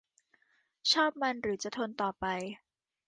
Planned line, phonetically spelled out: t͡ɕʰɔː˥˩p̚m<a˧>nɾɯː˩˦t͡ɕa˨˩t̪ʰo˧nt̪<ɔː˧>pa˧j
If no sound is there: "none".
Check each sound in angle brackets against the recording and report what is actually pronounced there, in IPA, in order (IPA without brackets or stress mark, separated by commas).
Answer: a˧, ɔː˨˩